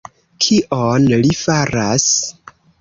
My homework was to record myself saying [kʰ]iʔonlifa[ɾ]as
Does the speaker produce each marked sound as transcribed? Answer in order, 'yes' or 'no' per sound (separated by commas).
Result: yes, yes